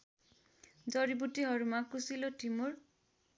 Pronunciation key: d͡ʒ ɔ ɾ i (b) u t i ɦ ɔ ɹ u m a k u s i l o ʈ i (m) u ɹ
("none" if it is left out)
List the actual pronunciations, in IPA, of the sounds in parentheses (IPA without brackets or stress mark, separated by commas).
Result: b, m